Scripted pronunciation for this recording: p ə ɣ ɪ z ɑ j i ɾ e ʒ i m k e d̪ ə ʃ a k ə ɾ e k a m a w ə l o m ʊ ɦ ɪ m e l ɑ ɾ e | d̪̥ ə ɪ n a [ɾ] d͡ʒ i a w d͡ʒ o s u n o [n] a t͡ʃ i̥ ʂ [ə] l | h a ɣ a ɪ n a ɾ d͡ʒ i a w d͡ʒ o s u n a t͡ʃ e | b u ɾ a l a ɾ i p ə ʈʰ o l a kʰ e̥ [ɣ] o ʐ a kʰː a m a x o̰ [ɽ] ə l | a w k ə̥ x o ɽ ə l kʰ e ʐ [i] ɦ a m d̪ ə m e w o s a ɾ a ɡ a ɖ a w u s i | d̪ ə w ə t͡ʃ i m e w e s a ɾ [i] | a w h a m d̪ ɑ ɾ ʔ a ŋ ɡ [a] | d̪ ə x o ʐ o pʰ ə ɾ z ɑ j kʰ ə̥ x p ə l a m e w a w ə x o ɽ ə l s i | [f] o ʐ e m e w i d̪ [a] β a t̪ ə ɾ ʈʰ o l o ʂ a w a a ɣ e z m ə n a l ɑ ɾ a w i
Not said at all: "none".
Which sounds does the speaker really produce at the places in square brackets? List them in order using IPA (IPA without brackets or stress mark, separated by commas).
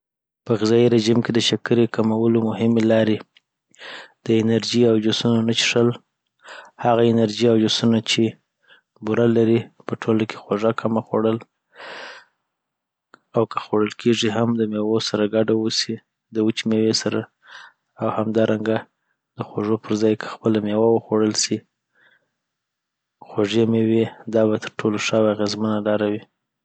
ɾ, n, ə, x, ɽ, i, a, a, x, ɑ